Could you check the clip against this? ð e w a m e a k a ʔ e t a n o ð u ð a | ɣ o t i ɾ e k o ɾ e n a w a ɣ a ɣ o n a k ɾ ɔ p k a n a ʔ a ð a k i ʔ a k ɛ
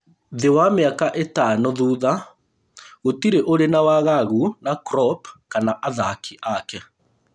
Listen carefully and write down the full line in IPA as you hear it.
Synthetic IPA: ð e w a m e a k a ʔ e t a n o ð u ð a | ɣ o t i ɾ e ʔ o ɾ e n a w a ɣ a ɣ u n a k ɾ ɔ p k a n a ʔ a ð a k i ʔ a k ɛ